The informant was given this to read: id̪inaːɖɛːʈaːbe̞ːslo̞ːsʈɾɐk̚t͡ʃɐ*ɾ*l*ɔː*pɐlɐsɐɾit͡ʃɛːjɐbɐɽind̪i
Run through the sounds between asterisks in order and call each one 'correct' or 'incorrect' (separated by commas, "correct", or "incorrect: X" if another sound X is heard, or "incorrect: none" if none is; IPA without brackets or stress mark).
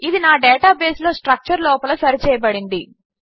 correct, correct